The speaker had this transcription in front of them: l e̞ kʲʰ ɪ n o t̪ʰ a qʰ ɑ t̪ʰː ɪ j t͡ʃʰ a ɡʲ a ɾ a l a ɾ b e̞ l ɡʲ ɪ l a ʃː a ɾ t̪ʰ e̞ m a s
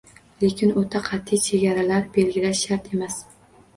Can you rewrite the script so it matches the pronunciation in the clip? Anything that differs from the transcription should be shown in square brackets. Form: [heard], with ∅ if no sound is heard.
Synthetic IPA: l e̞ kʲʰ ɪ n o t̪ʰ a qʰ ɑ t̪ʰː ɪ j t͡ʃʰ [e] ɡʲ a ɾ a l a ɾ b e̞ l ɡʲ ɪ l a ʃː a ɾ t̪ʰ e̞ m a s